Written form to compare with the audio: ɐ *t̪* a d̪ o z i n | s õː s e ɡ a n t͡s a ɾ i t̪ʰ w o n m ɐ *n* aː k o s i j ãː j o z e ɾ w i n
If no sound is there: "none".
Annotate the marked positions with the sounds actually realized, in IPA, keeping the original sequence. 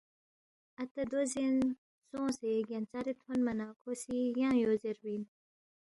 t̪, n

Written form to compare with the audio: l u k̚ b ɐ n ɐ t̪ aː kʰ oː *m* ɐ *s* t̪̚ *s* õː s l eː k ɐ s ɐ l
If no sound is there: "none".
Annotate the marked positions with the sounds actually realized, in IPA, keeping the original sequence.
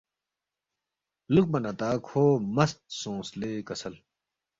m, s, s

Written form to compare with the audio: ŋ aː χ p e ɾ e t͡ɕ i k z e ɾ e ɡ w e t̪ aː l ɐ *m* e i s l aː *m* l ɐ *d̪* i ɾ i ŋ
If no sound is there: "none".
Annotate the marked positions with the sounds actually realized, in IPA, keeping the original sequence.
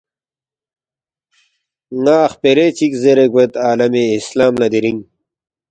m, m, d̪

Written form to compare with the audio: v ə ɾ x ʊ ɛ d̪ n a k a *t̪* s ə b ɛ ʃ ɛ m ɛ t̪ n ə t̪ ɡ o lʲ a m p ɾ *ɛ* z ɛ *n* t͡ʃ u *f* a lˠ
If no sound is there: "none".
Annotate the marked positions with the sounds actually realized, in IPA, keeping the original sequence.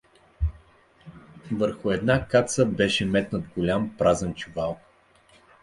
t̪, a, n, v

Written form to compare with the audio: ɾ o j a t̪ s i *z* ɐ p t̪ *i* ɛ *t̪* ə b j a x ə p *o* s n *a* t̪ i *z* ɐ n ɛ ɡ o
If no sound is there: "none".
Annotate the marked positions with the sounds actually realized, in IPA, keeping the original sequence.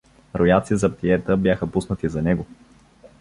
z, i, t̪, u, ə, z

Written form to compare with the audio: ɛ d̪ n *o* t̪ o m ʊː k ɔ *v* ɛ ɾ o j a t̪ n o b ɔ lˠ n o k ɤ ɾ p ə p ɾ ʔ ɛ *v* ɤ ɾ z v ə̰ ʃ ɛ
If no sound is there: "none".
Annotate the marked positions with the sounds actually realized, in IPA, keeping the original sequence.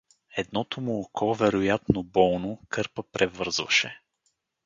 ɔ, v, v

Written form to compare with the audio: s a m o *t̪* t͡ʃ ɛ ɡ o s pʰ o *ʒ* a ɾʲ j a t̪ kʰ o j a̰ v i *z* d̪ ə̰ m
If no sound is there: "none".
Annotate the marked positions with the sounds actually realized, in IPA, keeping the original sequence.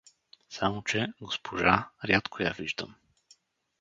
none, ʒ, ʒ

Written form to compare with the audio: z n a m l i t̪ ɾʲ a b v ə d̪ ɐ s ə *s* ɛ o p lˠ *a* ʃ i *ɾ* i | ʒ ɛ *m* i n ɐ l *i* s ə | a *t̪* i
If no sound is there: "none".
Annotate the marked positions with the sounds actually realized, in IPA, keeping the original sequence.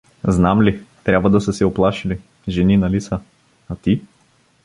s, a, l, n, i, t̪

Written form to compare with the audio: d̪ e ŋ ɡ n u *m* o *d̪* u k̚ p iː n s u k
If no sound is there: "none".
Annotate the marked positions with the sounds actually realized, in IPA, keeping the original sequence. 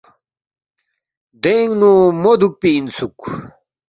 m, d̪

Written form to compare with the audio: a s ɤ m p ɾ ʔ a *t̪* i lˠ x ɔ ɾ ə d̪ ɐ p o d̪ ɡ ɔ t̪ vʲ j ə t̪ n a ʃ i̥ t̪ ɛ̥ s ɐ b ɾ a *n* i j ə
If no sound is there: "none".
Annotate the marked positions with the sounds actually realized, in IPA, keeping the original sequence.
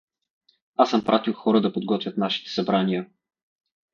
t̪, n

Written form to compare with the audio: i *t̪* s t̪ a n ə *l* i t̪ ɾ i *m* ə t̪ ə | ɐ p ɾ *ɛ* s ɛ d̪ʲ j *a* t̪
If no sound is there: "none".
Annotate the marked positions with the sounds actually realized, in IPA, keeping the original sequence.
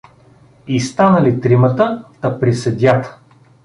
none, l, m, i, a

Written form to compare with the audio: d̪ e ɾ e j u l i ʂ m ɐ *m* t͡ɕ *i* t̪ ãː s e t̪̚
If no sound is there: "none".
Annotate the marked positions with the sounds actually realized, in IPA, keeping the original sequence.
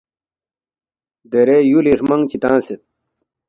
ŋ, i

